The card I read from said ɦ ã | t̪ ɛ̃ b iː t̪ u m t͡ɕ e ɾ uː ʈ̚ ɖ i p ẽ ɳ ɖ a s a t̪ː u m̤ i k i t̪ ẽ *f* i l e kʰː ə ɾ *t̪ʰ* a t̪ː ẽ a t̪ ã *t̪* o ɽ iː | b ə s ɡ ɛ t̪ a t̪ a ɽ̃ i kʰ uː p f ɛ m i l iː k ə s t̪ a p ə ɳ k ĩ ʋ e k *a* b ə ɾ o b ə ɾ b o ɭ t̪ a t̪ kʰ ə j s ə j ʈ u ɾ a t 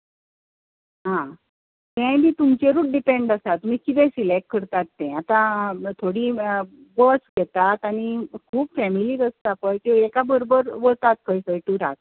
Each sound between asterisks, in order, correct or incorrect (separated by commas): incorrect, incorrect, incorrect, correct